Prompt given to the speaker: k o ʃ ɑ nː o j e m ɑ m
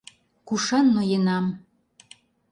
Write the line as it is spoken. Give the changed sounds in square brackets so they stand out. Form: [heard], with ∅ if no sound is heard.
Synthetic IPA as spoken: k [u] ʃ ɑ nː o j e [n] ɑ m